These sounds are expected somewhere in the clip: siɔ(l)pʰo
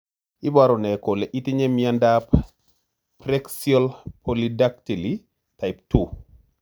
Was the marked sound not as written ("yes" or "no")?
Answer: no